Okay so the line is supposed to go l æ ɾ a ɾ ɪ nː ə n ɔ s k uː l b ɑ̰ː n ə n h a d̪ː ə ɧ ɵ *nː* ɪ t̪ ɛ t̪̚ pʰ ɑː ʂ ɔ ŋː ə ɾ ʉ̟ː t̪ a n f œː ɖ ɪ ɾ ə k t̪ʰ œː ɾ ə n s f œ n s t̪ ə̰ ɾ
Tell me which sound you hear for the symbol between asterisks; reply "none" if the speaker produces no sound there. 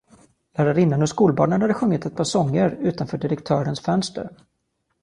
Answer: ŋː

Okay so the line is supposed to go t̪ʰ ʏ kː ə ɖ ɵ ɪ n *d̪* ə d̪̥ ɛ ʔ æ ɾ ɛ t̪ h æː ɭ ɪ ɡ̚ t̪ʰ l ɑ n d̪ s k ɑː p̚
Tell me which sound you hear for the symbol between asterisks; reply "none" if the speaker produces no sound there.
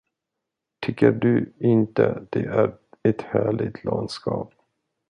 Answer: t̪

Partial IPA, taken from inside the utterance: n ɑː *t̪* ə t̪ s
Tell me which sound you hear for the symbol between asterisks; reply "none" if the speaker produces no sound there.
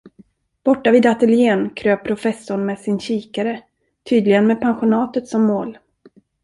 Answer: t̪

